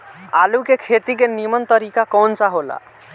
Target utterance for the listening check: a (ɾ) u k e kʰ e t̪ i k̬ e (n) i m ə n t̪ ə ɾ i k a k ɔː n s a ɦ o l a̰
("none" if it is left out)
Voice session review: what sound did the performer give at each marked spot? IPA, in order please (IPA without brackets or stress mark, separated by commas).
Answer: l, n